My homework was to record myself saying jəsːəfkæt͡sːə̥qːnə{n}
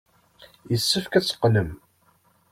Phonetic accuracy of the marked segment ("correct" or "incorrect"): incorrect